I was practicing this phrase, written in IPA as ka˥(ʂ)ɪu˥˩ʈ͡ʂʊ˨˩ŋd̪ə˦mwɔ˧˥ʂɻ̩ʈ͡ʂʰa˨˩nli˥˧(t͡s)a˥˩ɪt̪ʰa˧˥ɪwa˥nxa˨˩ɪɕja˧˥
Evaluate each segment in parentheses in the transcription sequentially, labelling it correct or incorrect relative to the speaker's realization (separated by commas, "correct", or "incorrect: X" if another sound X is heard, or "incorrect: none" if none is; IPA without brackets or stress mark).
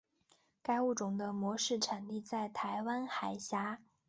incorrect: none, correct